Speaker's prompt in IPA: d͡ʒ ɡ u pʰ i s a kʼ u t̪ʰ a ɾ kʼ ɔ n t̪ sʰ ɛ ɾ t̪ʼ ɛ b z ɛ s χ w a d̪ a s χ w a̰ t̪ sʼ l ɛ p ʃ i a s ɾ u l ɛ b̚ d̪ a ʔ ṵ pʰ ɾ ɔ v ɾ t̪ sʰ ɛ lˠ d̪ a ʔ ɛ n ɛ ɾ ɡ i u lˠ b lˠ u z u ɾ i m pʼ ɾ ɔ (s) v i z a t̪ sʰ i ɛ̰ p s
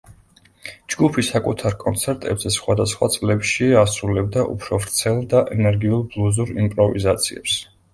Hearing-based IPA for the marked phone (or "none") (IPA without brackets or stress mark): none